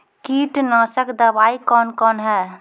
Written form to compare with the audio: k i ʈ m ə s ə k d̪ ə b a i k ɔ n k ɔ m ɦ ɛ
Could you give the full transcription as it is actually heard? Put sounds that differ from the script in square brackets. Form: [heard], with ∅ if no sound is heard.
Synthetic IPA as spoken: k i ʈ [n] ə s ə k d̪ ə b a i k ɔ n k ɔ [n] ɦ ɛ